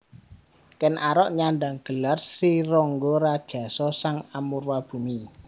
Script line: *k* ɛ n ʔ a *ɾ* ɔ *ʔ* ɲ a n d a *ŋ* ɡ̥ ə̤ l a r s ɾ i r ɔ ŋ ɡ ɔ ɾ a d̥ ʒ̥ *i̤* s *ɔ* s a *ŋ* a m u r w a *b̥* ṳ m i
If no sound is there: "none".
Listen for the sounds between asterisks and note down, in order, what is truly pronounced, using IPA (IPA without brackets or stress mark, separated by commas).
k, ɾ, ʔ, ŋ, a̤, ɔ, ŋ, b̥